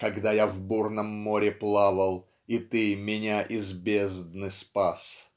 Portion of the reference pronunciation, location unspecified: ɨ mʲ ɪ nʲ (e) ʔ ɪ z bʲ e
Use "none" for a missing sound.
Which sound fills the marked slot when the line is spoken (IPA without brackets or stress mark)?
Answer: a